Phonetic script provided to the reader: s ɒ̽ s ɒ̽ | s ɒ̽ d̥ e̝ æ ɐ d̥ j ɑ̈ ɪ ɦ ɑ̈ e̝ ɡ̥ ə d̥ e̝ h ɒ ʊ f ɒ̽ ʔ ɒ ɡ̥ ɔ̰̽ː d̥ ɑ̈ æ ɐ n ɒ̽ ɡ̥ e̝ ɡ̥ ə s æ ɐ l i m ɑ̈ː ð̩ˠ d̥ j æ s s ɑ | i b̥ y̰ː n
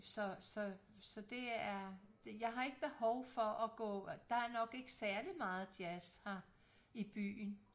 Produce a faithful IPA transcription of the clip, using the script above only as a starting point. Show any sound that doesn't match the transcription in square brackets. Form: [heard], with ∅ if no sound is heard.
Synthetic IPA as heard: s ɒ̽ s ɒ̽ | s ɒ̽ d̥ e̝ æ ɐ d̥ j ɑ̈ ɪ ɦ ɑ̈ e̝ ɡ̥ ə [b̥] e̝ h ɒ ʊ f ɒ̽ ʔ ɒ ɡ̥ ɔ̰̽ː d̥ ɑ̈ æ ɐ n ɒ̽ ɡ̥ e̝ ɡ̥ ə s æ ɐ l i m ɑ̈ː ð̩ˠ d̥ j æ s [h] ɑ | i b̥ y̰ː n